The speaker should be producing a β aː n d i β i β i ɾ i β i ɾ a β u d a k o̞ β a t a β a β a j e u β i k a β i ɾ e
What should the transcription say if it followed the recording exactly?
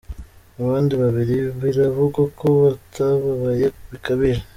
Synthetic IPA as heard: a β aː n d i β a β i ɾ i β i ɾ a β u ɡ a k o̞ β a t a β a β a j e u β i k a β i ɾ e